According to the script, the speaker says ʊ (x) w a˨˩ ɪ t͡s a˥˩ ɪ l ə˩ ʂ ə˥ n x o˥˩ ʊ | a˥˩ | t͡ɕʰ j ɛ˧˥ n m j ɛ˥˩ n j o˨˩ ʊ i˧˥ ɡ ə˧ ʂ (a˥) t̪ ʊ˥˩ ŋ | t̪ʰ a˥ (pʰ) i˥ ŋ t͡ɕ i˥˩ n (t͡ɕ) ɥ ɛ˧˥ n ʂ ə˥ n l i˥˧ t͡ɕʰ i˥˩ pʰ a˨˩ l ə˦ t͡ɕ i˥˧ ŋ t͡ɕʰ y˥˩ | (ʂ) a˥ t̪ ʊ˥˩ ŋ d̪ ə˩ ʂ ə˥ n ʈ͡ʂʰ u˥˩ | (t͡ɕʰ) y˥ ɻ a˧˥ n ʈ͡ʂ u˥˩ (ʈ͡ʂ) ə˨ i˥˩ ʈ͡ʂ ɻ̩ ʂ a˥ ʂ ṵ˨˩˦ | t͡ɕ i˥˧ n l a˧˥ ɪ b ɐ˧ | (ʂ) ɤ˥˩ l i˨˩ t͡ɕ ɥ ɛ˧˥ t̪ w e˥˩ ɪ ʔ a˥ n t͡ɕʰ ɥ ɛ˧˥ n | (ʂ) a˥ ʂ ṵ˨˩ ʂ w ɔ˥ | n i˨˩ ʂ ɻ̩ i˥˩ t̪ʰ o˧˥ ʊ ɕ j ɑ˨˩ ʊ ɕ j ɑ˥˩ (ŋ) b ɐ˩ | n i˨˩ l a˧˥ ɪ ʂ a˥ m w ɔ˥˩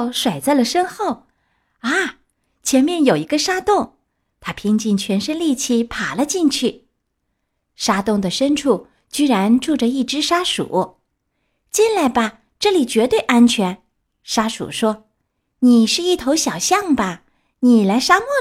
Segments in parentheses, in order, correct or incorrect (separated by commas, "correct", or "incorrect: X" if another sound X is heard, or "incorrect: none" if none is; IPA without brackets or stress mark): incorrect: ʂ, correct, correct, incorrect: t͡ɕʰ, correct, incorrect: t͡ɕ, correct, incorrect: ʈ͡ʂ, correct, correct